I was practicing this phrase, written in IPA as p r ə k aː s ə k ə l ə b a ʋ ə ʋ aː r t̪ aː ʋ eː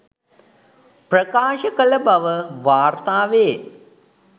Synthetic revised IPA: p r ə k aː ʃ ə k ə l ə b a ʋ ə ʋ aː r t̪ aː ʋ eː